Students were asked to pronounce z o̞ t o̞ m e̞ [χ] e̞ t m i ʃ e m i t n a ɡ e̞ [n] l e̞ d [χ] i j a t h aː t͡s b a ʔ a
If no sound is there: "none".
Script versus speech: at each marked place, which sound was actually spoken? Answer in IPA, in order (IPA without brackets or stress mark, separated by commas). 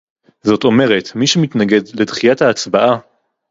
ʁ, d, χ